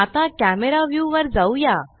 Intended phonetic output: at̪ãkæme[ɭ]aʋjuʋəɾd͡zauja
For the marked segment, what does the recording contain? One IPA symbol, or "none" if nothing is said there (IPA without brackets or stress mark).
ɾ